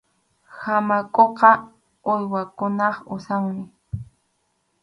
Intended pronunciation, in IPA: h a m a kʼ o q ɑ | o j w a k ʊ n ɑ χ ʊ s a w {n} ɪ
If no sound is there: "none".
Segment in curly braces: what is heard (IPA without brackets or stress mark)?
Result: n